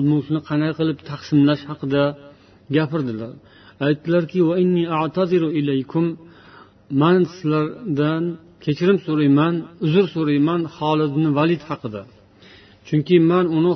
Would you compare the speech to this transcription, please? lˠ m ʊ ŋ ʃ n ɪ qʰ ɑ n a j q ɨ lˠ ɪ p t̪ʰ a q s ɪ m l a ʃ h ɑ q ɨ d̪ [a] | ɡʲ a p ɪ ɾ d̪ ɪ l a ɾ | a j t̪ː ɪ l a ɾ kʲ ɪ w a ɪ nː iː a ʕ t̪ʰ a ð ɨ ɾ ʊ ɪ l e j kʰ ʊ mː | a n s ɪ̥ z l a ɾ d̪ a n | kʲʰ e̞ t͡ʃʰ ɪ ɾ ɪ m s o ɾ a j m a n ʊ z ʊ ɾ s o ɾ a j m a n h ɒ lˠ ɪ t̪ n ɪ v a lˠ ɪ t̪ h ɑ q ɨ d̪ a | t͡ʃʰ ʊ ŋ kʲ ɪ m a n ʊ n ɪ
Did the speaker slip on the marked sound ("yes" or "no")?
no